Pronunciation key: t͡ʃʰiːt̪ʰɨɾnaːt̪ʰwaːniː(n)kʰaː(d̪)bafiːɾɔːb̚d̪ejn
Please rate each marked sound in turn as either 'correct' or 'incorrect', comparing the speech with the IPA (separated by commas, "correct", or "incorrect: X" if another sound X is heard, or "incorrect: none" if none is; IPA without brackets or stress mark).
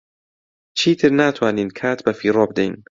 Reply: correct, incorrect: t̪